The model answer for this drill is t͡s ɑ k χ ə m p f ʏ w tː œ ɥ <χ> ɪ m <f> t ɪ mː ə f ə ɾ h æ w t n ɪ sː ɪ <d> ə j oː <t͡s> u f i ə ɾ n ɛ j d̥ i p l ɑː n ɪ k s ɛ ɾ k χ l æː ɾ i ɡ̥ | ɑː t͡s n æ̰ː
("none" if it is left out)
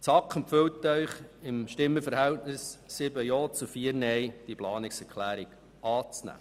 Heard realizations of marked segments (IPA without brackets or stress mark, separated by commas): χ, ʃ, b, t͡s